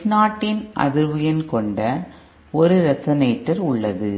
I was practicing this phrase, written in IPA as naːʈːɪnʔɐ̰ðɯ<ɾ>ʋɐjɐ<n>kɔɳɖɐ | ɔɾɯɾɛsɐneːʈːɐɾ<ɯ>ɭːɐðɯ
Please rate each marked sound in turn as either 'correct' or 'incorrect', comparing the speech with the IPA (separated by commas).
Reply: correct, correct, incorrect